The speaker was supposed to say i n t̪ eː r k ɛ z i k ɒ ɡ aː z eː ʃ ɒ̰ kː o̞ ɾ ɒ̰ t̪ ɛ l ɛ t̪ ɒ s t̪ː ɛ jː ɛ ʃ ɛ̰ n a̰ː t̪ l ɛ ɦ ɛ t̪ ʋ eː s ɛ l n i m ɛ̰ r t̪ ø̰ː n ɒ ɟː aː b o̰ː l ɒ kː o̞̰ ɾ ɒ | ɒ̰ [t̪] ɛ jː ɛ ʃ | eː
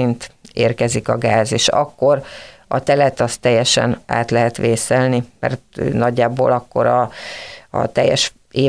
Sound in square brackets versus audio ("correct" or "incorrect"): correct